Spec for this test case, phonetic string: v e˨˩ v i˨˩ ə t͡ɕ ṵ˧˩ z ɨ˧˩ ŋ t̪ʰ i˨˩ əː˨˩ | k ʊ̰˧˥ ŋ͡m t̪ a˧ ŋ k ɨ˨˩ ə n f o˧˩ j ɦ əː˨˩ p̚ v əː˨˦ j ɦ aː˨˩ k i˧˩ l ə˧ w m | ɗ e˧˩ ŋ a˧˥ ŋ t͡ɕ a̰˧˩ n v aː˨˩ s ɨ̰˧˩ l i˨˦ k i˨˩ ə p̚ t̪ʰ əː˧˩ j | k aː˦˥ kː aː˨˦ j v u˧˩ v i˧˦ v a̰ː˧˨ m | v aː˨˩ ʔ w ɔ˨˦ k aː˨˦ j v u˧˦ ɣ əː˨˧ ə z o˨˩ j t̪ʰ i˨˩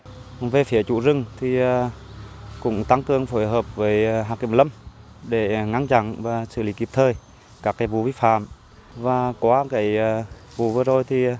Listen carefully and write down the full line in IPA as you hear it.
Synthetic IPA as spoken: v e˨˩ f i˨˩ ə t͡ɕ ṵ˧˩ z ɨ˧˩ ŋ t̪ʰ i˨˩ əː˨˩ | k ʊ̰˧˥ ŋ͡m t̪ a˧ ŋ k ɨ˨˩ ə ŋ f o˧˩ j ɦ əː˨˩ p̚ v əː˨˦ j ɦ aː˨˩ k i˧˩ l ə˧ m | ɗ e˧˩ ŋ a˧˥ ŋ t͡ɕ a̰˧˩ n v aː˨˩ s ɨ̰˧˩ l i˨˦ k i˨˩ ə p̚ t̪ʰ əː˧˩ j | k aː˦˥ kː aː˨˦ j v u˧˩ v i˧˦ f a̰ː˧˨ m | v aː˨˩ k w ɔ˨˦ k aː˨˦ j v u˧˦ v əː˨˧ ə z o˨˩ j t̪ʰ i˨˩